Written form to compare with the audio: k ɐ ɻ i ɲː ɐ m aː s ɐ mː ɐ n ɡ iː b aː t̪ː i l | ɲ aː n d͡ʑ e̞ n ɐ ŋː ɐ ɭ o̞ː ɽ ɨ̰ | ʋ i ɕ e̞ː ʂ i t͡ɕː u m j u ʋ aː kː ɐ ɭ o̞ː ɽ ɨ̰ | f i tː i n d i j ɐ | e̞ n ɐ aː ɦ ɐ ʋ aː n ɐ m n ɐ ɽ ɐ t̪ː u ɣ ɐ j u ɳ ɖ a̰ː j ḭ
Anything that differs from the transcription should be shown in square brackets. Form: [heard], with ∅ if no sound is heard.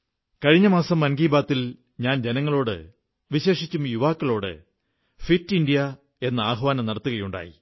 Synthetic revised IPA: k ɐ ɻ i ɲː ɐ m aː s ɐ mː ɐ n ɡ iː b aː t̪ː i l | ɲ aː n d͡ʑ e̞ n ɐ ŋː ɐ ɭ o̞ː ɽ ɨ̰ | ʋ i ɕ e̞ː ʂ i t͡ɕː u m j u ʋ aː kː ɐ ɭ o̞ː ɽ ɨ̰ | f i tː i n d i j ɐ | e̞ [nː] ɐ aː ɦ ɐ ʋ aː n ɐ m n ɐ ɽ ɐ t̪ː u ɣ ɐ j u ɳ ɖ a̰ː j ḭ